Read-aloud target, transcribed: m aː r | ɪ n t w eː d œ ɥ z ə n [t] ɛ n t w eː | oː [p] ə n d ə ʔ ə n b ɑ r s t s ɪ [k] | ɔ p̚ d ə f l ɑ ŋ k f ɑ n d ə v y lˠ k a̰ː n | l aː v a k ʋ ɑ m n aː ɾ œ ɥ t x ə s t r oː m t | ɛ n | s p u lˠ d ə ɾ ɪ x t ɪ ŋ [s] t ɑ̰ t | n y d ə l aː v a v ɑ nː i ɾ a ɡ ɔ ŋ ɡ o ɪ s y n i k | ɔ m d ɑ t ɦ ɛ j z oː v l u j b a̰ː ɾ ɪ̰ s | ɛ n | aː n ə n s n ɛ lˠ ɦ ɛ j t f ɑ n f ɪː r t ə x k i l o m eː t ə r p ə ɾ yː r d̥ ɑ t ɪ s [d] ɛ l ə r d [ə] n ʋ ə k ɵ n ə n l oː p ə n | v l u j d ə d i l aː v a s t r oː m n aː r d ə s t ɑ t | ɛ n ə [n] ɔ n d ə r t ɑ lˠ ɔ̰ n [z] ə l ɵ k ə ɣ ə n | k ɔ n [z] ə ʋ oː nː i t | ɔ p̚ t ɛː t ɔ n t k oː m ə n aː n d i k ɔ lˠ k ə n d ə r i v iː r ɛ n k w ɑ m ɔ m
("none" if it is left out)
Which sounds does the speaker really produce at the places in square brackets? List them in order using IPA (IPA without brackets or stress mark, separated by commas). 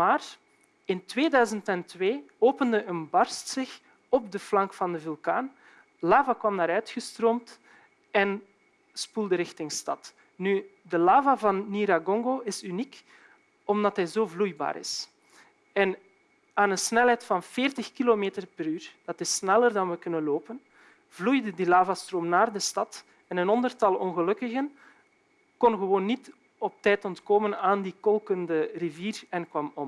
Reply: t, p, x, s, n, ɑ, n, ɣ, ɣ